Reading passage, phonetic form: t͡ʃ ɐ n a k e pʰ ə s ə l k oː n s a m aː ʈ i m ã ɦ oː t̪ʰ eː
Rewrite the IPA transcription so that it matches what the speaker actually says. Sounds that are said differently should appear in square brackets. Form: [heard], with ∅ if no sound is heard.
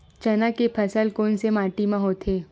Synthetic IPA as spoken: t͡ʃ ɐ n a k e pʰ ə s ə l k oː n s [e] m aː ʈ i m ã ɦ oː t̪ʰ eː